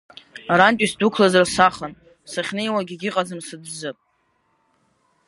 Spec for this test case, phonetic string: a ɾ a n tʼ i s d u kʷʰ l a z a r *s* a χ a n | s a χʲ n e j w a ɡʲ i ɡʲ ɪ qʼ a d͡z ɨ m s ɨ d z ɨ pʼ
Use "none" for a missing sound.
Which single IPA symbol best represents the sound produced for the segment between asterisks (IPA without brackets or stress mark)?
s